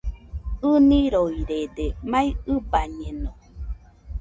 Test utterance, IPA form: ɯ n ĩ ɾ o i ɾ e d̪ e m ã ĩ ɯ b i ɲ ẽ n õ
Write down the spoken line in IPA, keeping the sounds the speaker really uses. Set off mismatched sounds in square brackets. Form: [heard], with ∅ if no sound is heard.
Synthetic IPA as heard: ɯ n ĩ ɾ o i ɾ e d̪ e m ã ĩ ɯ b [a] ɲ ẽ n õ